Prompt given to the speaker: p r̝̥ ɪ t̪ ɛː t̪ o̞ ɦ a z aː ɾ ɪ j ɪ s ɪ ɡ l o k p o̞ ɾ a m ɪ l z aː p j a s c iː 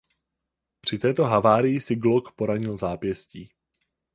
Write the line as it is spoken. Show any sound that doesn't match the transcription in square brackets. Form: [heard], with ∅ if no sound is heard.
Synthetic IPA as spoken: p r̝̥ ɪ t̪ ɛː t̪ o̞ ɦ a [v] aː ɾ ɪ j ɪ s ɪ ɡ l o k p o̞ ɾ a [ɲ] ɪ l z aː p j [ɛ] s c iː